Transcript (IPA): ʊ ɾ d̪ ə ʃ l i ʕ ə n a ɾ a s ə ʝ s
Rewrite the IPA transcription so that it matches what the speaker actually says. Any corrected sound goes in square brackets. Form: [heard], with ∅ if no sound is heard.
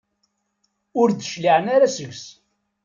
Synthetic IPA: ʊ ɾ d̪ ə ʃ l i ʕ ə n a ɾ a s ə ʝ s